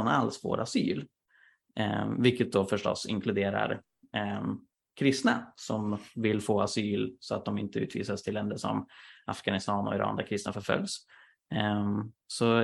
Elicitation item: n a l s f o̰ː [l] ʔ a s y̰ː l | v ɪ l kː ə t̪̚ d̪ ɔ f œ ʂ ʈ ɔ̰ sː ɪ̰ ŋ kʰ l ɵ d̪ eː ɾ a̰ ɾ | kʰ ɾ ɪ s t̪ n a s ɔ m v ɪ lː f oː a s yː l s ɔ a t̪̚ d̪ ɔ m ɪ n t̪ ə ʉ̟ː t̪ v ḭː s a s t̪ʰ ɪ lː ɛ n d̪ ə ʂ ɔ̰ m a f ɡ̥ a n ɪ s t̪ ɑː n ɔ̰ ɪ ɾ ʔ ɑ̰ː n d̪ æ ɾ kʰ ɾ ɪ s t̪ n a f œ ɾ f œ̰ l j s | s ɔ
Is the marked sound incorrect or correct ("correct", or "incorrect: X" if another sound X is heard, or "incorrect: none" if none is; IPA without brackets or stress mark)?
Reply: incorrect: ɾ